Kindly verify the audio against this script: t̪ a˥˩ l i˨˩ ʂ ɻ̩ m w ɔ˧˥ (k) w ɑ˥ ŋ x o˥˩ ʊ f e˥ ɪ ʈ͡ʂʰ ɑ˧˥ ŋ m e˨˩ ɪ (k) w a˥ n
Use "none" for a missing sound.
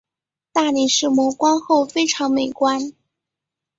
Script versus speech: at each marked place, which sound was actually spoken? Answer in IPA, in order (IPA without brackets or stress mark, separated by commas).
k, k